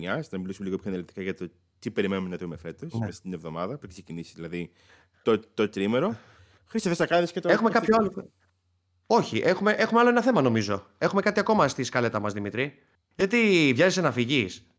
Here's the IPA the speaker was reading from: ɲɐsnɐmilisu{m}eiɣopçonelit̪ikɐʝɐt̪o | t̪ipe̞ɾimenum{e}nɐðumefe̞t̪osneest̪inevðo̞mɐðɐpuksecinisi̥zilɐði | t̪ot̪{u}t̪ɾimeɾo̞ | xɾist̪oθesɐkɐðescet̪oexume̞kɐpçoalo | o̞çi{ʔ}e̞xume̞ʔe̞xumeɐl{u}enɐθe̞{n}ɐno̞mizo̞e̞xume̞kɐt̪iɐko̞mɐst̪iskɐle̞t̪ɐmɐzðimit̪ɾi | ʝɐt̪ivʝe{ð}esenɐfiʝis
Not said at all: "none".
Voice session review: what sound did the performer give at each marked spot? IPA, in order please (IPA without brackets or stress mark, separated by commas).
m, e, o, ʔ, o, m, z